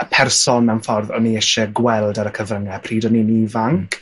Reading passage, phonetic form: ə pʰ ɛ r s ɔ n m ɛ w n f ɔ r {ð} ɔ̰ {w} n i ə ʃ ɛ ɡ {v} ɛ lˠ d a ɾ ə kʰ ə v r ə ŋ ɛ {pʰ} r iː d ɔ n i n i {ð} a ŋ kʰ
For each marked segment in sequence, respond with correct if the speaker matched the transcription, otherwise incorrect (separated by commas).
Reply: correct, incorrect, incorrect, correct, incorrect